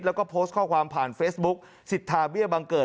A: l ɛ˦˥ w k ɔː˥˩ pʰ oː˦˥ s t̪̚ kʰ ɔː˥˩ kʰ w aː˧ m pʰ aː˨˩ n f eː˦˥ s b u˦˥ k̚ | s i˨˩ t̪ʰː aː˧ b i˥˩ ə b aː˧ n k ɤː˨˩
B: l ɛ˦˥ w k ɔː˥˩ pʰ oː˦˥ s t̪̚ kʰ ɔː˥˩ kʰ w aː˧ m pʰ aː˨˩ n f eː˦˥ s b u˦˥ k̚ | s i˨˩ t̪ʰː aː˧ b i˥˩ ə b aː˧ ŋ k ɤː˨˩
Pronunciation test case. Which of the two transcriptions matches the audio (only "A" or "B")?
B